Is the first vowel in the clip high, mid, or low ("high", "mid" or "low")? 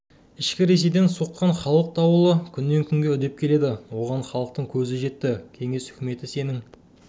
high